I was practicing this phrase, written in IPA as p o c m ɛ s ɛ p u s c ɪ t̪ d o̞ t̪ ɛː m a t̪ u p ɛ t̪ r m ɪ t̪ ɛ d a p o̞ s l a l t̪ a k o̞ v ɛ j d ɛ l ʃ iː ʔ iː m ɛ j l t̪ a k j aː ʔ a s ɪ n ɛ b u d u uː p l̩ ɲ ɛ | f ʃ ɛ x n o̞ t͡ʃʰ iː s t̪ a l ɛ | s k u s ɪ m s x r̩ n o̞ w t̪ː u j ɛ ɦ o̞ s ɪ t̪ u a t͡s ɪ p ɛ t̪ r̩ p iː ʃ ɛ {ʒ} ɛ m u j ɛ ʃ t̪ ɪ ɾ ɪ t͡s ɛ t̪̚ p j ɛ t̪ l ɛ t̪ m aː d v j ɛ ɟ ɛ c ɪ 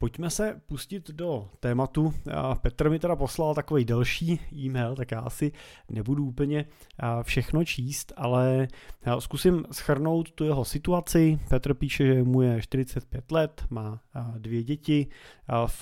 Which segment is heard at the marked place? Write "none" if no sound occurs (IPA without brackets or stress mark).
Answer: ʒ